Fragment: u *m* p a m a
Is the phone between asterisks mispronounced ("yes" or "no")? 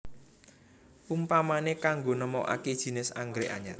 no